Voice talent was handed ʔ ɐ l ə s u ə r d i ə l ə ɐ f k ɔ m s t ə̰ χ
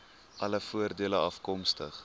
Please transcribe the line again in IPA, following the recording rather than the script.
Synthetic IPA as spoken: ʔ ɐ l ə f u ə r d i ə l ə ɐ f k ɔ m s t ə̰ χ

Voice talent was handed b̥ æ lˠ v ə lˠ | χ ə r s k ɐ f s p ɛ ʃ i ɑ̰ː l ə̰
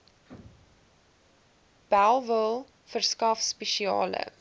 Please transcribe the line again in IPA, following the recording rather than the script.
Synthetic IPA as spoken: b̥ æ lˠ v ə lˠ | f ə r s k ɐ f s p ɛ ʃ i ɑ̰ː l ə̰

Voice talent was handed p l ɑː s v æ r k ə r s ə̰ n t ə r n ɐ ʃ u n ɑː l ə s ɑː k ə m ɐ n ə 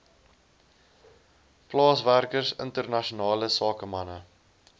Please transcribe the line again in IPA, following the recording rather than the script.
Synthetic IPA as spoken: p l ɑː s v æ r k ə r s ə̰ n t ə r n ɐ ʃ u n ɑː l ə s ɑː k ə m ɐ n ə

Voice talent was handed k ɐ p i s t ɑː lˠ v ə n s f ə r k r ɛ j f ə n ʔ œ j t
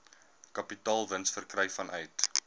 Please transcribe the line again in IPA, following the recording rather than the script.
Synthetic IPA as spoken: k ɐ p i t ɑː lˠ v ə n s f ə r k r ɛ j f ɐ n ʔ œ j t

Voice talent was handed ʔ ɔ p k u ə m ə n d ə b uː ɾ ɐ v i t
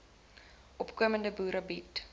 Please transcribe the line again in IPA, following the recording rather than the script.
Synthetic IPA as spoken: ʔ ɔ p k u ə m ə n d ə b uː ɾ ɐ b i t

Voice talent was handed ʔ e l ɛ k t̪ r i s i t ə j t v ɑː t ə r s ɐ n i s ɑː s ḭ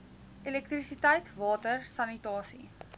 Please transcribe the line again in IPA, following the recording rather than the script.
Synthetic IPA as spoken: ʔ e l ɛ k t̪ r i s i t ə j t v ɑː t ə r s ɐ n i t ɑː s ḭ

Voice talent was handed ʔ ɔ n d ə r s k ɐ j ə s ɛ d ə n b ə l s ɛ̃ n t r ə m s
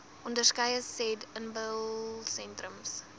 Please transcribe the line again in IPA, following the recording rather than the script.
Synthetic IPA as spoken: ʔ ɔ n d ə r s k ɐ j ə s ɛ d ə n b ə l s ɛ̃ n t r ə m s

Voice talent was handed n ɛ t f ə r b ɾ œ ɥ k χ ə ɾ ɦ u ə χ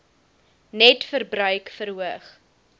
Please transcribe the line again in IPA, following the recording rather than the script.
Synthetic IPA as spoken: n ɛ t f ə r b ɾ œ ɥ k f ə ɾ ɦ u ə χ

